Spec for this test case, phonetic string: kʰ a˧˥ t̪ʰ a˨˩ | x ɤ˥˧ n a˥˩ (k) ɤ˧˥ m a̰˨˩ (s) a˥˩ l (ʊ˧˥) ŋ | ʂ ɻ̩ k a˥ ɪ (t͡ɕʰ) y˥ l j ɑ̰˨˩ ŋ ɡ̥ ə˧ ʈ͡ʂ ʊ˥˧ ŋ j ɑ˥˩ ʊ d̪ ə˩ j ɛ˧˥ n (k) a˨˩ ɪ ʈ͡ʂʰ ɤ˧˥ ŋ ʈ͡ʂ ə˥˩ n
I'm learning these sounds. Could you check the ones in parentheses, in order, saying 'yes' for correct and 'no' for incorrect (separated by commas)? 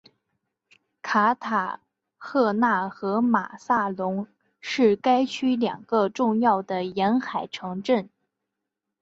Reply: no, yes, yes, yes, no